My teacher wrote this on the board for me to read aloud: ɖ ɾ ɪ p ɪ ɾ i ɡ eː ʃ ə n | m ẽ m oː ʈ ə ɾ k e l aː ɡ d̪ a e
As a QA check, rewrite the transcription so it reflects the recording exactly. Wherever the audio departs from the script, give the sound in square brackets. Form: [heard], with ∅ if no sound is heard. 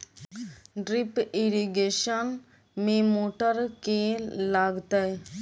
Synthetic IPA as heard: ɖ ɾ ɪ p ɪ ɾ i ɡ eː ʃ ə n | m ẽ m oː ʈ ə ɾ k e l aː ɡ [t̪] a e